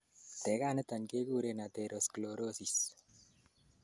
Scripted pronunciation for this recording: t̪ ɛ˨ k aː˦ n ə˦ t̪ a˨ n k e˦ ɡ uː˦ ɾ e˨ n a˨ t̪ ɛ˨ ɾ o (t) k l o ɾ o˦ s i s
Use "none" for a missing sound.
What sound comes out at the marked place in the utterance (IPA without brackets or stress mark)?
s